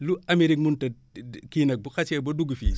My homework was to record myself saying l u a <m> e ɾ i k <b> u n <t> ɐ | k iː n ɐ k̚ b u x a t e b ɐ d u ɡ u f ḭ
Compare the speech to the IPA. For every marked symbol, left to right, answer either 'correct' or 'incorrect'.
correct, incorrect: m, correct

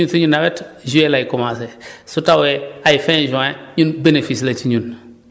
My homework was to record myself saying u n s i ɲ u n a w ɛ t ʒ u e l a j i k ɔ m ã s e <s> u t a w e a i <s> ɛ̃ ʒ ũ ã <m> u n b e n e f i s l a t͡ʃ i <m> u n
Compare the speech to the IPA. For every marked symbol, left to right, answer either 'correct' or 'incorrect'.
correct, incorrect: f, incorrect: ɲ, incorrect: ɲ

